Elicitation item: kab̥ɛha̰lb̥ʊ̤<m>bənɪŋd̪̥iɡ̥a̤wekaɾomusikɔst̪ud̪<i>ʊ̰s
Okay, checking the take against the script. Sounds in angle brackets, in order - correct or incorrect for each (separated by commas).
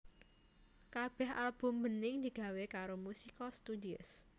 correct, correct